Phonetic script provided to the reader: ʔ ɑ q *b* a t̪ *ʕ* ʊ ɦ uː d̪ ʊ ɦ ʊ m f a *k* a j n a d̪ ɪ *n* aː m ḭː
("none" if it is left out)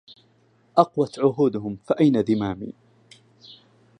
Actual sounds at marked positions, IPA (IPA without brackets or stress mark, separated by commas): w, ʕ, ʔ, m